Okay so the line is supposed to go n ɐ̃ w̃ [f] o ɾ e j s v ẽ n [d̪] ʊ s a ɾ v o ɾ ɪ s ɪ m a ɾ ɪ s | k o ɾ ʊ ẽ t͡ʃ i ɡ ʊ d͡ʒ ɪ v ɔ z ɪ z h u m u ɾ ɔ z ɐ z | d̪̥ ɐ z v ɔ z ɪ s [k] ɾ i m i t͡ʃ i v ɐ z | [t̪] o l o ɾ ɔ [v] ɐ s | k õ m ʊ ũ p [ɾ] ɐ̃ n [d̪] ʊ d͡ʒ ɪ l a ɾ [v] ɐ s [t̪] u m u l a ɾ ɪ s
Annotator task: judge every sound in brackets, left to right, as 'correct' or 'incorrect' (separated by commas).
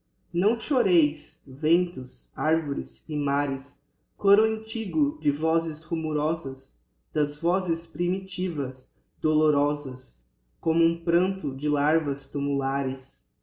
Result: incorrect, incorrect, incorrect, incorrect, incorrect, correct, incorrect, correct, correct